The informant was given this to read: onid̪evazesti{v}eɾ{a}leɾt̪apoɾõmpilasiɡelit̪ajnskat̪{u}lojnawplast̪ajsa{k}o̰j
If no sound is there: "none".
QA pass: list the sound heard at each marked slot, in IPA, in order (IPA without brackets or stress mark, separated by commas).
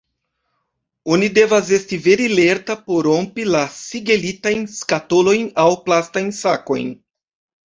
v, i, o, k